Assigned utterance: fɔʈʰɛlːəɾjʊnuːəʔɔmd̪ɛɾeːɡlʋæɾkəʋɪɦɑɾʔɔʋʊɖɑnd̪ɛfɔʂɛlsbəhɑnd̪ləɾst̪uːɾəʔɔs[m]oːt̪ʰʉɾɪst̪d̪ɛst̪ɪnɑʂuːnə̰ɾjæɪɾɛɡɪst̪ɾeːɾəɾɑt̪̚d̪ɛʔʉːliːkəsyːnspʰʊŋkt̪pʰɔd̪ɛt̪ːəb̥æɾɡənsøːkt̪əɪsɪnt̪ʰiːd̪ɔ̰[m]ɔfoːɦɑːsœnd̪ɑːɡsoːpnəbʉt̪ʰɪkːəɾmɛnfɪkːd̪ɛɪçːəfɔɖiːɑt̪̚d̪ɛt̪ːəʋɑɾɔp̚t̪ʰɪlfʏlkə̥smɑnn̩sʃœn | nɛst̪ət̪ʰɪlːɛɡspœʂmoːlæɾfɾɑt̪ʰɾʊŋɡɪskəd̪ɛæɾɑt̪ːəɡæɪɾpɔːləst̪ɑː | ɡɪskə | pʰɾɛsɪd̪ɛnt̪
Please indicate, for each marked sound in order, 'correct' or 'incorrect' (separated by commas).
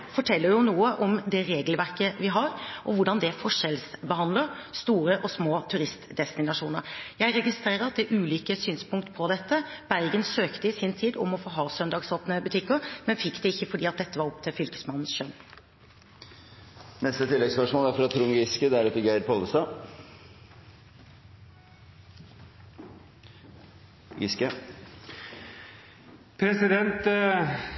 correct, correct